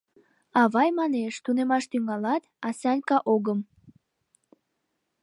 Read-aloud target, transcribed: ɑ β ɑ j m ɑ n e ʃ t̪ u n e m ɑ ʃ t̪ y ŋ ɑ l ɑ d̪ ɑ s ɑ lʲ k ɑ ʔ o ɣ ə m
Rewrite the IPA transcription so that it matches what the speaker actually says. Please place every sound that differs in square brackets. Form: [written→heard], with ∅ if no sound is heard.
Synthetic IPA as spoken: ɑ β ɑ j m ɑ n e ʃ t̪ u n e m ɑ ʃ t̪ y ŋ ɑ l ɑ [d̪→t̪] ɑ s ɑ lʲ k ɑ ʔ o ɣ ə m